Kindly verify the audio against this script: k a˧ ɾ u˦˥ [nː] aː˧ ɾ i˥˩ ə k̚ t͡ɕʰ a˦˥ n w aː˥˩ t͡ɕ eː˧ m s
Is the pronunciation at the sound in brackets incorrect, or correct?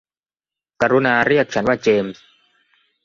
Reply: incorrect